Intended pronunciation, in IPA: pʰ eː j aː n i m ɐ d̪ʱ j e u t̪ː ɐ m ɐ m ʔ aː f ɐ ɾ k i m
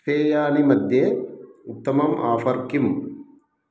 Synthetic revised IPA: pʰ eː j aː n i m ɐ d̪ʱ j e u t̪ː ɐ m ɐ m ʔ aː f ɐ ɾ k i m